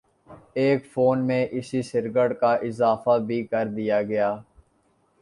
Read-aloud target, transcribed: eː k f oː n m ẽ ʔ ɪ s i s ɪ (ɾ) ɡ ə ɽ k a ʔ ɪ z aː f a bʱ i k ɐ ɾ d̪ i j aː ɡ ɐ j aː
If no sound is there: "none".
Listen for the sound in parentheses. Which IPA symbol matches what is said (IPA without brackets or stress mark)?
ɾ